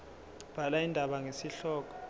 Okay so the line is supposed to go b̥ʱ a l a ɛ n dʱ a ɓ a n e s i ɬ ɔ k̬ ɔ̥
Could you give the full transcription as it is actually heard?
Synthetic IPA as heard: b̥ʱ a l a i n dʱ a ɓ a ŋ e s i ɬ ɔː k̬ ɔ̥